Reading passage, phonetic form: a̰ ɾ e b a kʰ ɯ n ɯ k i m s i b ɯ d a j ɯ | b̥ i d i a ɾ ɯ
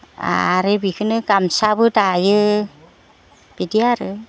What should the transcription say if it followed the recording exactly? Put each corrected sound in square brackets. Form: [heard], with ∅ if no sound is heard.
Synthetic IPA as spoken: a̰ ɾ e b [i] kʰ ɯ n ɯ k [a] m s [a] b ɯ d a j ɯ | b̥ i d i a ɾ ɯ